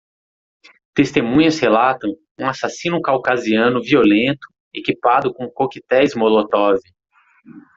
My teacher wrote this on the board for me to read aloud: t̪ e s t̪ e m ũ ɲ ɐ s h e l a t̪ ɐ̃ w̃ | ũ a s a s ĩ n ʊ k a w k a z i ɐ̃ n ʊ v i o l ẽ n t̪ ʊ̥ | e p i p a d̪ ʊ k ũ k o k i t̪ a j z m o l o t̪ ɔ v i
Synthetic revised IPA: t̪ e s t̪ e m ũ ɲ ɐ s h e l a t̪ ɐ̃ w̃ | ũ a s a s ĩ n ʊ k a w k a z i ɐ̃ n ʊ v i o l ẽ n t̪ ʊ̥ | e k i p a d̪ ʊ k õ k o k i t̪ ɛ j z m o l o t̪ ɔ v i